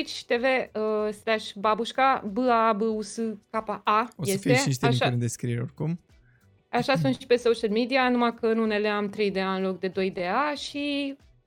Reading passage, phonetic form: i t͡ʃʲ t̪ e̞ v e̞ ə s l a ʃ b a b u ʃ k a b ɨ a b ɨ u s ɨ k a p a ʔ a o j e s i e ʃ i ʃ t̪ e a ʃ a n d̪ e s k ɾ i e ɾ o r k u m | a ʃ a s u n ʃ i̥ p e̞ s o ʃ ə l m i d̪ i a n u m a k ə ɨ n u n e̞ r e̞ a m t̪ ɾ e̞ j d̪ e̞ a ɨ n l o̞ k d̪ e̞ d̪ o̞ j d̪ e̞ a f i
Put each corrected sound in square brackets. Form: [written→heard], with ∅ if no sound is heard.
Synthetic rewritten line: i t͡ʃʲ t̪ e̞ v e̞ ə s l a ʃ b a b u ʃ k a b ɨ a b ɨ u s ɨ k a p a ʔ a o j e s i e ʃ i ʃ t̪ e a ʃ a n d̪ e s k ɾ i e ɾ o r k u m | a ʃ a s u n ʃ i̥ p e̞ s o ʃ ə l m i d̪ i a n u m a k ə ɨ n u n e̞ [r→l] e̞ a m t̪ ɾ e̞ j d̪ e̞ a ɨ n l o̞ k d̪ e̞ d̪ o̞ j d̪ e̞ a [f→ʃ] i